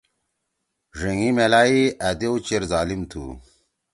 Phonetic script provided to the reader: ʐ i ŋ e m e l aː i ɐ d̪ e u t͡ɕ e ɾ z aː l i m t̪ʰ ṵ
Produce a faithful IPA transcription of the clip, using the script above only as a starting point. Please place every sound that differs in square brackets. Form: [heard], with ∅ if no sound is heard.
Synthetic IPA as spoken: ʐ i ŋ [i] m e l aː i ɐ d̪ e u t͡ɕ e ɾ z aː l i m t̪ʰ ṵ